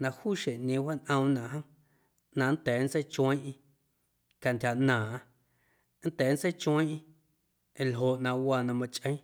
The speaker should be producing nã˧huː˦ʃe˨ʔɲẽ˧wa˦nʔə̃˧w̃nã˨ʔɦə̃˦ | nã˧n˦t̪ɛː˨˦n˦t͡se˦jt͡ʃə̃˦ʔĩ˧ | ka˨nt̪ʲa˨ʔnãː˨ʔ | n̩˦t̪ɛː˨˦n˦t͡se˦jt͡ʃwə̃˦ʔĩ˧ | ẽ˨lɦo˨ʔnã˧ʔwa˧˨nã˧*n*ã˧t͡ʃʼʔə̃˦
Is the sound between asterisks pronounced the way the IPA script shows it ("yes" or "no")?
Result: no